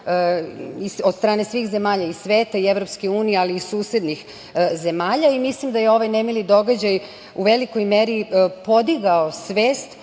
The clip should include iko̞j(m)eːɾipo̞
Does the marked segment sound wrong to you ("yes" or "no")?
no